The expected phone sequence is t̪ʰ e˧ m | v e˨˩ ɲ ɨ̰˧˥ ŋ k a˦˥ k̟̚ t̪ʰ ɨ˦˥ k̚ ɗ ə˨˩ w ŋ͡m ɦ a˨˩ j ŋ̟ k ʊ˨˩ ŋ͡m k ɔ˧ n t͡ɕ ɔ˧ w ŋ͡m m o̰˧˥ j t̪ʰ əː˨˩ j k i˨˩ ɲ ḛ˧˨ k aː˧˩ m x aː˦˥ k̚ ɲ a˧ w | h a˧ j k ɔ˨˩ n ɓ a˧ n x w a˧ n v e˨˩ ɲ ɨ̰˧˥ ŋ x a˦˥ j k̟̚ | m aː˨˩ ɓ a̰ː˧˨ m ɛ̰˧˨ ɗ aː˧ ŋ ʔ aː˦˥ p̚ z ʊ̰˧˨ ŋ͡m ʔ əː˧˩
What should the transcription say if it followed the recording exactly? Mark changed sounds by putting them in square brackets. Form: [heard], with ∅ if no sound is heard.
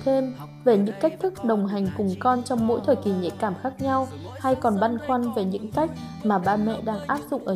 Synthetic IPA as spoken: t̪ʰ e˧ m | v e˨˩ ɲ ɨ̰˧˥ ŋ k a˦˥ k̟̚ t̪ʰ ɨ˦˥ k̚ ɗ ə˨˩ w ŋ͡m ɦ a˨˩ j ŋ̟ k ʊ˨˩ ŋ͡m k ɔ˧ n t͡ɕ ɔ˧ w ŋ͡m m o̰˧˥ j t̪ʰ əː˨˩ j k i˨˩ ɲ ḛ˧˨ k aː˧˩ m x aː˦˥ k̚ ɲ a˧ w | h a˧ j k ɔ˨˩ n ɓ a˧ n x w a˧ n v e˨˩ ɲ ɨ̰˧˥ ŋ [k] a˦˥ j k̟̚ | m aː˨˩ ɓ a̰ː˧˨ m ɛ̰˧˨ ɗ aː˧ ŋ ʔ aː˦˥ p̚ z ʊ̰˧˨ ŋ͡m ʔ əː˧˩